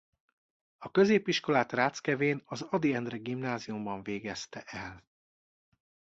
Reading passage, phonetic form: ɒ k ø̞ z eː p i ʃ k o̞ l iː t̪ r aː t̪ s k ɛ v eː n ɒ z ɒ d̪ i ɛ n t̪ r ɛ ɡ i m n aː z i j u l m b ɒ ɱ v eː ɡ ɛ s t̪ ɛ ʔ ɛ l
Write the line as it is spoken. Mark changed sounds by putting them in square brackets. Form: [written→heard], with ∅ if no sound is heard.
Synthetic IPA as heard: ɒ k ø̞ z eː p i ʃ k o̞ l [iː→aː] t̪ r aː t̪ s k ɛ v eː n ɒ z ɒ d̪ i ɛ n [t̪→d̪] r ɛ ɡ i m n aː z i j u [l→∅] m b ɒ ɱ v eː ɡ ɛ s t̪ ɛ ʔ ɛ l